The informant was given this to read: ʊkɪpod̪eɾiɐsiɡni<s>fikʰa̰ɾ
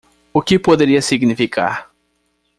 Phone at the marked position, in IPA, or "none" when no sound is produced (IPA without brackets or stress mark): none